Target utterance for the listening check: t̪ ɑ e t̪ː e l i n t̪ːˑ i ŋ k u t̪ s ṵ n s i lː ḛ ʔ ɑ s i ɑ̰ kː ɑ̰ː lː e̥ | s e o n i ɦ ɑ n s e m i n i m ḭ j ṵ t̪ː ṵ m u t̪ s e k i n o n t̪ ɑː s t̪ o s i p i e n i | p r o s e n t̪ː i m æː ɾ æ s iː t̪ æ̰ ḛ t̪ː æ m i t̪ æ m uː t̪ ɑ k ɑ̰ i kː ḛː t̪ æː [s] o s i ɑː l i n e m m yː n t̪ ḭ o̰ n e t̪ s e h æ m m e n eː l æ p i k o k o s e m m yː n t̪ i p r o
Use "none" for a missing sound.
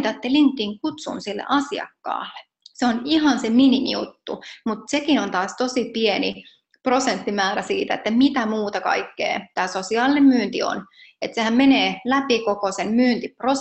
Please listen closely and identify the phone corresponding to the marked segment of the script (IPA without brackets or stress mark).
s